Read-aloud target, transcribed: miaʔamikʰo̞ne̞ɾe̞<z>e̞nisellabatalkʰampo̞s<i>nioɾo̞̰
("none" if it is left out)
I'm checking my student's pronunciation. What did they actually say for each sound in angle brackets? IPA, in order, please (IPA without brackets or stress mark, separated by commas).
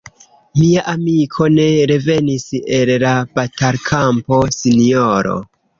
v, i